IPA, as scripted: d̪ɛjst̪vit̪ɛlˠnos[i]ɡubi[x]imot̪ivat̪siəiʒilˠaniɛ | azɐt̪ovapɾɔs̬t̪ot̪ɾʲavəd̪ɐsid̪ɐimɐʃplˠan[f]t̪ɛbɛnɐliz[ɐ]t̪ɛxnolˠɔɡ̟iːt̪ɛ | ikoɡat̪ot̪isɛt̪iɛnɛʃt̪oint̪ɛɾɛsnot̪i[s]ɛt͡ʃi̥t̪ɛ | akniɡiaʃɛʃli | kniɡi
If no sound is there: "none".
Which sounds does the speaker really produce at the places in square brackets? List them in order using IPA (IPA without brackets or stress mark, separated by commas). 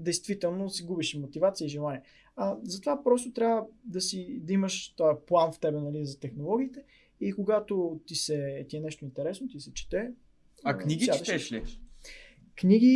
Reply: i, ʃ, f, ɐ, s